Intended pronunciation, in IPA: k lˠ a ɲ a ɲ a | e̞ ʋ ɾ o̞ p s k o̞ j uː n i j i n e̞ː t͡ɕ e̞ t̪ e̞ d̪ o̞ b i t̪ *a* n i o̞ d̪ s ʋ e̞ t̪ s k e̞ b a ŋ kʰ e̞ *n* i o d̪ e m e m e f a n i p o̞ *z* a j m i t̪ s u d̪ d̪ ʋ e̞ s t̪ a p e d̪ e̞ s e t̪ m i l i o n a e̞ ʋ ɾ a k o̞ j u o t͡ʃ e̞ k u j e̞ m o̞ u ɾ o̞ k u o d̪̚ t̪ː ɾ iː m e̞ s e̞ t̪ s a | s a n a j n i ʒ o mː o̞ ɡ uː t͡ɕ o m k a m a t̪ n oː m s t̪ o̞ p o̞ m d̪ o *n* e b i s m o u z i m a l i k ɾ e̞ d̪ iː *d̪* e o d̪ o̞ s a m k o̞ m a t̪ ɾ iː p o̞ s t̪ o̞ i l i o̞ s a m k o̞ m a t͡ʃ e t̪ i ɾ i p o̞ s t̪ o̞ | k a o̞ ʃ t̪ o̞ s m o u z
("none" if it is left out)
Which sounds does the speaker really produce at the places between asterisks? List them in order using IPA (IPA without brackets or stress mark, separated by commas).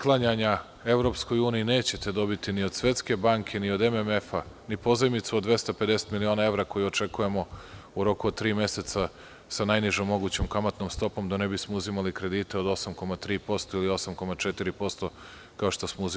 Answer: i, n, z, n, t̪